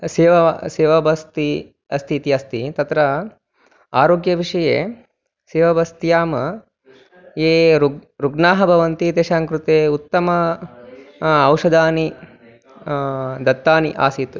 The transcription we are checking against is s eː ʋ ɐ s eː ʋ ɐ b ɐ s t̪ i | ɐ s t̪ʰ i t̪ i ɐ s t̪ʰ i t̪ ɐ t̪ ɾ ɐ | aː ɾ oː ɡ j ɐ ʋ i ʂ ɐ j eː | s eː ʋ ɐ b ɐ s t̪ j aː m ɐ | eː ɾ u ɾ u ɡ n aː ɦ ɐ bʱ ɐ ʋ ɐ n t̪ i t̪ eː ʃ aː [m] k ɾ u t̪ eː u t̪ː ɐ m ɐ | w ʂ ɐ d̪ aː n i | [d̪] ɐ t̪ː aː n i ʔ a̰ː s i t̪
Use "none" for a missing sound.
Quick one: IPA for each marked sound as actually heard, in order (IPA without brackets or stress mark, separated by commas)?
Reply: ŋ, d̪